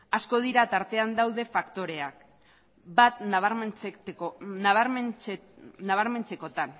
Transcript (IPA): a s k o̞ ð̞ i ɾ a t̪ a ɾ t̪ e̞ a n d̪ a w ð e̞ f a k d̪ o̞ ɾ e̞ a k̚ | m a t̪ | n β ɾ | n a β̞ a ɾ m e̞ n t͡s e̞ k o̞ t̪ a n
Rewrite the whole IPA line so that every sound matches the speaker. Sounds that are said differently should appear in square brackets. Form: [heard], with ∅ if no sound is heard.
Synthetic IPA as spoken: a s k o̞ ð̞ i ɾ a t̪ a ɾ t̪ e̞ a n d̪ a w ð e̞ f a k [t̪] o̞ ɾ e̞ a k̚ | [b] a t̪ | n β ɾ | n a β̞ a ɾ m e̞ n t͡s e̞ k o̞ t̪ a n

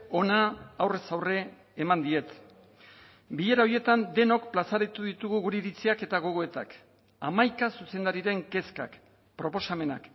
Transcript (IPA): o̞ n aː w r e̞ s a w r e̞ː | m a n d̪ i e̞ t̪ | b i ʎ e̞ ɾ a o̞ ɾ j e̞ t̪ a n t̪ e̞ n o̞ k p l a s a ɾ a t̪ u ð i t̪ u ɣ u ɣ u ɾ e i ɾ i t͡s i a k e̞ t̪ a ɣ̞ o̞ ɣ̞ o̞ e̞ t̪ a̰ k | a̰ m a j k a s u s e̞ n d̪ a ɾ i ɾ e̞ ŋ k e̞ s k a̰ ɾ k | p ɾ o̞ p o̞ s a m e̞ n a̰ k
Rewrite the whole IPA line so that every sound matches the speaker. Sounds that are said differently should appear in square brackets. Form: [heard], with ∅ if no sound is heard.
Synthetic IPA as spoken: o̞ n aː w r e̞ s a w r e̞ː | m a n d̪ i e̞ t̪ | b i ʎ e̞ ɾ a o̞ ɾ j e̞ t̪ a n [d̪] e̞ n o̞ k p l a s a ɾ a t̪ u ð i t̪ u ɣ u ɣ u ɾ e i ɾ i t͡s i a k e̞ t̪ a ɣ̞ o̞ ɣ̞ o̞ e̞ t̪ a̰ k | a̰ m a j k a s u s e̞ n d̪ a ɾ i ɾ e̞ ŋ k e̞ s k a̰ [∅] k | p ɾ o̞ p o̞ s a m e̞ n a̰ k

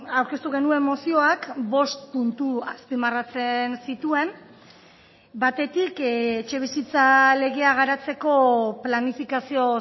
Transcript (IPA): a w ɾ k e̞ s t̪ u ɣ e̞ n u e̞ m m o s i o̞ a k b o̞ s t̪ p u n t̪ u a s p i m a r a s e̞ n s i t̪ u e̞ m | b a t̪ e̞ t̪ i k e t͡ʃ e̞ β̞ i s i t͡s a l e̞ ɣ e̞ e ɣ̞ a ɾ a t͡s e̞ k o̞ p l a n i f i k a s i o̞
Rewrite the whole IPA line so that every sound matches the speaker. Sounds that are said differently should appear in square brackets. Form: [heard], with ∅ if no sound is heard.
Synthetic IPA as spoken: a w ɾ k e̞ s t̪ u ɣ e̞ n u e̞ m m o s i o̞ a k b o̞ s t̪ p u n t̪ u a s p i m a r a [t͡s] e̞ n s i t̪ u e̞ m | b a t̪ e̞ t̪ i k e t͡ʃ e̞ β̞ i s i t͡s a l e̞ ɣ e̞ [a] ɣ̞ a ɾ a t͡s e̞ k o̞ p l a n i f i k a s i o̞

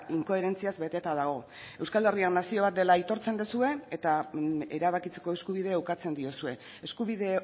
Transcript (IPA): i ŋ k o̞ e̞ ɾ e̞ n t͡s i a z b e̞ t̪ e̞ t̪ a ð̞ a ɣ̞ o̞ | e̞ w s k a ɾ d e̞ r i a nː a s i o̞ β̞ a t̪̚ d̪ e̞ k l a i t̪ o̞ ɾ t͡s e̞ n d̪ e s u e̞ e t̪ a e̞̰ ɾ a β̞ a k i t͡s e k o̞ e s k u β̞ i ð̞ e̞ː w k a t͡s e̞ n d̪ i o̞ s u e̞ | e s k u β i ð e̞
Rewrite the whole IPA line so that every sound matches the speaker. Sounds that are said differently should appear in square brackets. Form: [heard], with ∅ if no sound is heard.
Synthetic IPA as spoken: i ŋ k o̞ e̞ ɾ e̞ n t͡s i a z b e̞ t̪ e̞ t̪ a ð̞ a ɣ̞ o̞ | e̞ w s k a [l] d e̞ r i a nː a s i o̞ β̞ a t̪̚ d̪ e̞ [∅] l a i t̪ o̞ ɾ t͡s e̞ n d̪ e s u e̞ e t̪ a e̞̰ ɾ a β̞ a k i t͡s e k o̞ e s k u β̞ i ð̞ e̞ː w k a t͡s e̞ n d̪ i o̞ s u e̞ | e s k u β i ð e̞

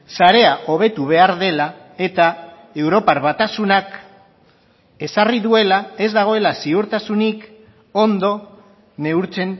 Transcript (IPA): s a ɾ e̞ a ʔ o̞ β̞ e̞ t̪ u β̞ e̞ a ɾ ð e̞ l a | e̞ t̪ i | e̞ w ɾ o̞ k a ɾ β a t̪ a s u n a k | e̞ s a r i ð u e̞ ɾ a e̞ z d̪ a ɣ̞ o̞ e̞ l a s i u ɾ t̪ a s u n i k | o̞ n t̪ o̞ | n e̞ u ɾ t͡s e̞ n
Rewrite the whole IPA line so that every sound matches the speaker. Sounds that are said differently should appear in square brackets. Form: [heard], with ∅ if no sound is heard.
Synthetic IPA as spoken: s a ɾ e̞ a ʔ o̞ β̞ e̞ t̪ u β̞ e̞ a ɾ ð e̞ l a | e̞ t̪ [a] | e̞ w ɾ o̞ [p] a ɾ β a t̪ a s u n a k | e̞ s a r i ð u e̞ [l] a e̞ z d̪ a ɣ̞ o̞ e̞ l a s i u ɾ t̪ a s u n i k | o̞ n [d̪] o̞ | n e̞ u ɾ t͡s e̞ n

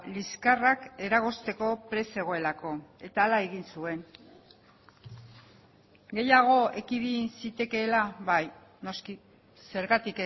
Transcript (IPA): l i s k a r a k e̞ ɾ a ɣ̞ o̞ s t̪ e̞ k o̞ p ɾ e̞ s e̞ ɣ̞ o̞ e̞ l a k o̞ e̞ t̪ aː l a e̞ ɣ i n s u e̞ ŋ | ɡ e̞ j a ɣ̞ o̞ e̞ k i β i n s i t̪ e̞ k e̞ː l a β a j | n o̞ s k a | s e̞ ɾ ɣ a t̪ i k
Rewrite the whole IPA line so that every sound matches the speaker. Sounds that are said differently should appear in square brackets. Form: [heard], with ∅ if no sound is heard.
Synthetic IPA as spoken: l i s k a r a k e̞ ɾ a ɣ̞ o̞ s t̪ e̞ k o̞ p ɾ e̞ s e̞ ɣ̞ o̞ e̞ l a k o̞ e̞ t̪ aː l a e̞ ɣ i n s u e̞ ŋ | ɡ e̞ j a ɣ̞ o̞ e̞ k i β i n s i t̪ e̞ k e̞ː l a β a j | n o̞ s k [i] | s e̞ ɾ ɣ a t̪ i k

